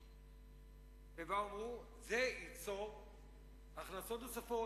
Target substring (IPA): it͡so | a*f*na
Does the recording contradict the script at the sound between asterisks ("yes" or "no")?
yes